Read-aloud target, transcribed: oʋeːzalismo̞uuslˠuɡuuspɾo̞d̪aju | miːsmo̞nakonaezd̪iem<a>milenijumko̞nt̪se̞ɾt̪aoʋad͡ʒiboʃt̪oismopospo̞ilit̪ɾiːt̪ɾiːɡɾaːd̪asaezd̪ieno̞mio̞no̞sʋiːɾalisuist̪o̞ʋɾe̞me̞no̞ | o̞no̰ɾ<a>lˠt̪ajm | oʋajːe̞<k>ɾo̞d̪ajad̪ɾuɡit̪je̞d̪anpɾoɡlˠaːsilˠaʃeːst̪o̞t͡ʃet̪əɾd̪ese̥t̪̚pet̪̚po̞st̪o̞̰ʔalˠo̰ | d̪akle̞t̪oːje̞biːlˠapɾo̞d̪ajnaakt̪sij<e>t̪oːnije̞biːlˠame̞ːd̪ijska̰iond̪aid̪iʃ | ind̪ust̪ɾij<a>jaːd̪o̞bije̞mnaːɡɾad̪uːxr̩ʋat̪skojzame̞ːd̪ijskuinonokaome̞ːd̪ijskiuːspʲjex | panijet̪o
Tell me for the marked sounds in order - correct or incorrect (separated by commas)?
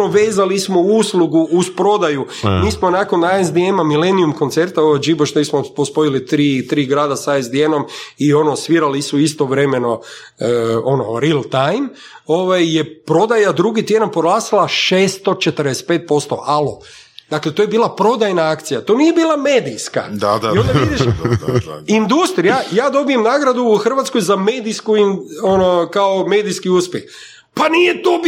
correct, incorrect, incorrect, incorrect, correct